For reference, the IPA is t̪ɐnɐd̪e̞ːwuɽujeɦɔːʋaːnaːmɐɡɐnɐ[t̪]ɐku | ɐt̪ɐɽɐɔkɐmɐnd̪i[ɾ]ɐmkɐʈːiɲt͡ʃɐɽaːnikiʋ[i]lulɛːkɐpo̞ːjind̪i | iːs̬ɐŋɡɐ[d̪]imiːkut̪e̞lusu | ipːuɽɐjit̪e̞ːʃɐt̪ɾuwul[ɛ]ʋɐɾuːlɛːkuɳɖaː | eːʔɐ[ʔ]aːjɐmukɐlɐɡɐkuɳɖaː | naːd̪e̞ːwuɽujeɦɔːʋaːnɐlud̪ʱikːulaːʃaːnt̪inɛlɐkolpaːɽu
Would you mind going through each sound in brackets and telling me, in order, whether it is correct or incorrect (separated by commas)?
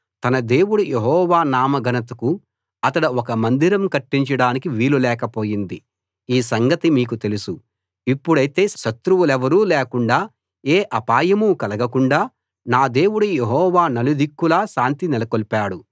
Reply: correct, correct, incorrect, incorrect, correct, incorrect